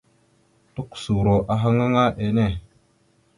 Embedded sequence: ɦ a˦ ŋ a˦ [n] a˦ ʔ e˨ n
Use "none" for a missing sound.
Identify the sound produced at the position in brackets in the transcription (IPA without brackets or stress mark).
ŋ